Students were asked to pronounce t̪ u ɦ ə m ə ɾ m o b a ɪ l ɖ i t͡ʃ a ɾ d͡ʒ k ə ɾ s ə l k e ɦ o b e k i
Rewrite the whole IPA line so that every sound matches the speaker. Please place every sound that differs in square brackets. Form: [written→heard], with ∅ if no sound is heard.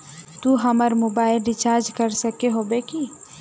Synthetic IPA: t̪ u ɦ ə m ə ɾ m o b a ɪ l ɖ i t͡ʃ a ɾ d͡ʒ k ə ɾ s ə [l→∅] k e ɦ o b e k i